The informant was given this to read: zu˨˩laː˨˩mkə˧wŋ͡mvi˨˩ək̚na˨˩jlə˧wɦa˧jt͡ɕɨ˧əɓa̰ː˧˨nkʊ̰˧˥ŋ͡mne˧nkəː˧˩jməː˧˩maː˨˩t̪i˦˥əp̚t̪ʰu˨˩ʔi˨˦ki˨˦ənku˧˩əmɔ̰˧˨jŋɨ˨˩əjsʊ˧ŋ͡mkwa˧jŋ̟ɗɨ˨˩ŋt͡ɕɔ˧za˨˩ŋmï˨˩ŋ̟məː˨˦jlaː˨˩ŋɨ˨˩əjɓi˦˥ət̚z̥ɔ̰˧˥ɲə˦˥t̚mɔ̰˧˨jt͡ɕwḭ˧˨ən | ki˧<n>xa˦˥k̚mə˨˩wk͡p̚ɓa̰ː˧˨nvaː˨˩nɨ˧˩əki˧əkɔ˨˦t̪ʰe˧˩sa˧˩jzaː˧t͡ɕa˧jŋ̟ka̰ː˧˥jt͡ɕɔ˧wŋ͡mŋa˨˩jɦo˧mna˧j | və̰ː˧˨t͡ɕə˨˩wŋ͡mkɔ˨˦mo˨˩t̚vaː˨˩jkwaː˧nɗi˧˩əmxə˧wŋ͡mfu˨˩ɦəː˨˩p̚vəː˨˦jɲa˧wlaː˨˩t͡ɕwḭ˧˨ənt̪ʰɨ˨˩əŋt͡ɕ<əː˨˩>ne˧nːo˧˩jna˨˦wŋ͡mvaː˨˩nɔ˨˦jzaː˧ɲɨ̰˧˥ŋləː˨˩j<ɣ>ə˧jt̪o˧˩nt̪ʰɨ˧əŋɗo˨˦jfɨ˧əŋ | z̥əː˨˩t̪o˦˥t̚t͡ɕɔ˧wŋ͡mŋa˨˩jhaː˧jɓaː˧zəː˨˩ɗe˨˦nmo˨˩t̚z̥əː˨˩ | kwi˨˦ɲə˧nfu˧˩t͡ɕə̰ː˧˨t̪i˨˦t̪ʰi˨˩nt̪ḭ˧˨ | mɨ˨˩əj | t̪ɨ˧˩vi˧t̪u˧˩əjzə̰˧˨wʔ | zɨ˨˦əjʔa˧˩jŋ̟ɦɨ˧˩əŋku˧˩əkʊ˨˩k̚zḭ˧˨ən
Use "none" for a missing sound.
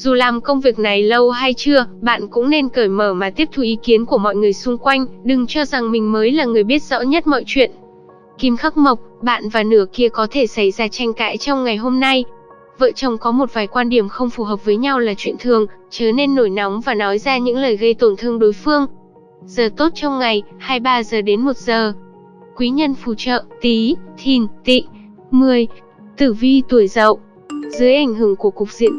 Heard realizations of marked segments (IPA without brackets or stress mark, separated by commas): m, əː˨˩, ɣ